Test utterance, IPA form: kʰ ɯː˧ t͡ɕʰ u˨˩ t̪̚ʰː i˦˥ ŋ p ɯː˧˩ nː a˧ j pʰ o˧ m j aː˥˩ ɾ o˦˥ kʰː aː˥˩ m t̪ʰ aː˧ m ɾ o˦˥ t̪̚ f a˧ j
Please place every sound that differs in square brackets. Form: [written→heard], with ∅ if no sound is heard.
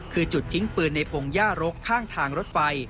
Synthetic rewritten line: kʰ ɯː˧ [t͡ɕʰ→t͡ɕ] u˨˩ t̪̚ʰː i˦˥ ŋ p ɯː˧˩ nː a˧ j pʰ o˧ [m→ŋ] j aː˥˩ ɾ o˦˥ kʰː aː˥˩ [m→ŋ] t̪ʰ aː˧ [m→ŋ] ɾ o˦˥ t̪̚ f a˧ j